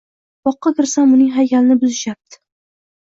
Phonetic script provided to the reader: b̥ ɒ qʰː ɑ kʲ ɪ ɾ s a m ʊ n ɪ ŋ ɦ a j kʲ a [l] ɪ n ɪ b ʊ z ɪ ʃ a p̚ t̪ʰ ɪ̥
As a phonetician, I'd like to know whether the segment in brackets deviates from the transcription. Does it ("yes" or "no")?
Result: no